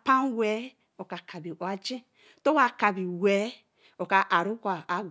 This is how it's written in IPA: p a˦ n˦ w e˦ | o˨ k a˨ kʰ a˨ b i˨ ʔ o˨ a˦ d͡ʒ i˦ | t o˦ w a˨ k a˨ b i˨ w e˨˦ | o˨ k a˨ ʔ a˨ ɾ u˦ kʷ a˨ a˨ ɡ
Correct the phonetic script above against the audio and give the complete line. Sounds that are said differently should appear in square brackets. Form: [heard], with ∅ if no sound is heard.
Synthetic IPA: p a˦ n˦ w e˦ | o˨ k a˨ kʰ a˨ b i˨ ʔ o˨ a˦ d͡ʒ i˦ | t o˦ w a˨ k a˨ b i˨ w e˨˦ | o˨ k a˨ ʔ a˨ ɾ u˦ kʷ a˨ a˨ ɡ